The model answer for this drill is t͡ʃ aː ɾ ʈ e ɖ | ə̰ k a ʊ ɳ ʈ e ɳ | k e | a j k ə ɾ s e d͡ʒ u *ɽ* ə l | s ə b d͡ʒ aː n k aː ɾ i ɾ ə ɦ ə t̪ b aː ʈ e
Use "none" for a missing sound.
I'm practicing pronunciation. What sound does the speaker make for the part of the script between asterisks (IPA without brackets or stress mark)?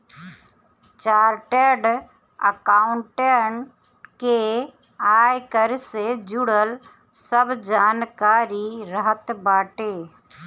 ɽ